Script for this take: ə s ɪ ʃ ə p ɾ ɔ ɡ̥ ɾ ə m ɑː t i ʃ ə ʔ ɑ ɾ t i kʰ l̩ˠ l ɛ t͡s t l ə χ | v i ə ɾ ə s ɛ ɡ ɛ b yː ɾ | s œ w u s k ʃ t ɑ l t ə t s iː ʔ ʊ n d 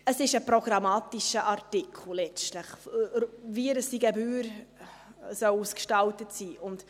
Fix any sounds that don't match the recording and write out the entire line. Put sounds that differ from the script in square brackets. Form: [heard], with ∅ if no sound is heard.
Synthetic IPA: ə s ɪ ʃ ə p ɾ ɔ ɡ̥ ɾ [ɑ] m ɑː t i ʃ ə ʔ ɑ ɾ t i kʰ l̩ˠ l ɛ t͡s t l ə χ | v i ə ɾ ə s [i] ɡ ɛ b yː ɾ | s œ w u s k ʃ t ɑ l t ə t s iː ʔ ʊ n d